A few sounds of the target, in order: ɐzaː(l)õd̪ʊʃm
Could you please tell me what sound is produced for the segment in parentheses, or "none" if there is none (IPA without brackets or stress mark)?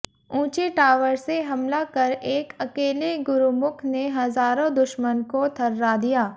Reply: ɾ